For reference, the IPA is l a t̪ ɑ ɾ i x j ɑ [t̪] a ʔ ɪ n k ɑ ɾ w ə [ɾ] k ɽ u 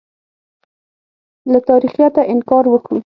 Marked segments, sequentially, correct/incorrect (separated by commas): correct, incorrect